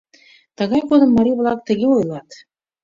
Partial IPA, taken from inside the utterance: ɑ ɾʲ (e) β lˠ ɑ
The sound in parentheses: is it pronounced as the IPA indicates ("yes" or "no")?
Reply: no